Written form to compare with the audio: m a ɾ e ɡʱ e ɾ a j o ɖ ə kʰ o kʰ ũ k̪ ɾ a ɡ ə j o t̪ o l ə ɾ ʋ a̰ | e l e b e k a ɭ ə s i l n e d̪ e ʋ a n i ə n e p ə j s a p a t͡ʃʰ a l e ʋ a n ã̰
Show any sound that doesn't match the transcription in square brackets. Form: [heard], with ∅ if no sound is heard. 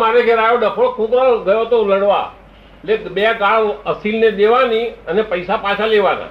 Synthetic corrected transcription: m a ɾ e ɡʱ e ɾ a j o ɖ ə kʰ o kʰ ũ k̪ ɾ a ɡ ə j o t̪ o l ə [ɽ] ʋ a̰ | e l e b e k a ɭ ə s i l n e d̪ e ʋ a n i ə n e p ə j s a p a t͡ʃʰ a l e ʋ a n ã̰